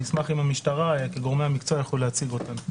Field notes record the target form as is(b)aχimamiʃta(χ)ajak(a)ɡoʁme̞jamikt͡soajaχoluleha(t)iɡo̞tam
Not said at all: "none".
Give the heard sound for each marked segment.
m, ʁ, e, t͡s

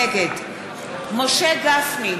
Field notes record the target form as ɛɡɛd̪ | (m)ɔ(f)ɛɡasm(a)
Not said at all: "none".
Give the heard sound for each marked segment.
m, ʃ, i

